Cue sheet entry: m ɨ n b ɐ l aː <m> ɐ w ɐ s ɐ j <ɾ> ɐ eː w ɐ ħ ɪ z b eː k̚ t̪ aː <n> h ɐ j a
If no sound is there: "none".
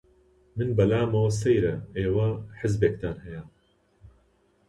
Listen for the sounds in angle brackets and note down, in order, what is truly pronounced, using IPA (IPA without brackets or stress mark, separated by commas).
m, ɾ, n